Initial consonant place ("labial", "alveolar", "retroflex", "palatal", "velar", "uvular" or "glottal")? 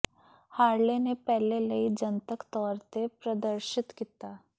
glottal